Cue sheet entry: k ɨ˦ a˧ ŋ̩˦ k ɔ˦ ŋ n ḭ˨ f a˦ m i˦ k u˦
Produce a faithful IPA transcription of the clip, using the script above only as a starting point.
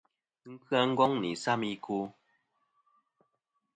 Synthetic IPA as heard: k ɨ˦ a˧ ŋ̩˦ ɡ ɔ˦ ŋ n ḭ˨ s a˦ m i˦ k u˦